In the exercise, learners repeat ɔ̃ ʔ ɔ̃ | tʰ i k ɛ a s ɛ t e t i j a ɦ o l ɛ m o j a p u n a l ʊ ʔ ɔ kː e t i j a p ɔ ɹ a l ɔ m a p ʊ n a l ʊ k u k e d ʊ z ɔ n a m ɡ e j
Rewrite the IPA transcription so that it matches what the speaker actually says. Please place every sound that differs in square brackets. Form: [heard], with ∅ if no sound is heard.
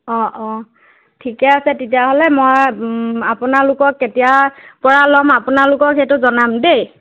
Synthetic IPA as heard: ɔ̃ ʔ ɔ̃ | tʰ i k ɛ a s ɛ t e t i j a ɦ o l ɛ m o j a p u n a l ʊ [k] ɔ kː e t i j a p ɔ ɹ a l ɔ m a p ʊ n a l ʊ k [ɔ] k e [t] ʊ z ɔ n a m [d] e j